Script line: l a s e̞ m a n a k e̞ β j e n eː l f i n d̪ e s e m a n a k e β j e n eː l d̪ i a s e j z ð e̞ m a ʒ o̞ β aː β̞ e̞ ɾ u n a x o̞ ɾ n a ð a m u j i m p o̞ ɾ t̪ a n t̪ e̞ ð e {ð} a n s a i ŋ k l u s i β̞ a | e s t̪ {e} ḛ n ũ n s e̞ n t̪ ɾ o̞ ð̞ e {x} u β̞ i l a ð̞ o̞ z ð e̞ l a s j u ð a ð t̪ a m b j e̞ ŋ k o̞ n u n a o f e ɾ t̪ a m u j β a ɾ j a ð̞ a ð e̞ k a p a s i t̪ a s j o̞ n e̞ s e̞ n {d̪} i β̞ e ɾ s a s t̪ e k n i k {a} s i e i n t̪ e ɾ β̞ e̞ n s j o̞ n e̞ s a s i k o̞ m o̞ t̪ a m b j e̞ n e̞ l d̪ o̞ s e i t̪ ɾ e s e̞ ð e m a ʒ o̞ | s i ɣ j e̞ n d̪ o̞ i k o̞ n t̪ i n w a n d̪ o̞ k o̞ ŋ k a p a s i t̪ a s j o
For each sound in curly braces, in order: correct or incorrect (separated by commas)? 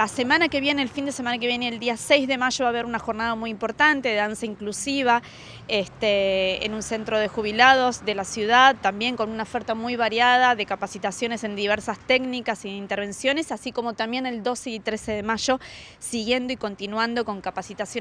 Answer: correct, correct, correct, correct, correct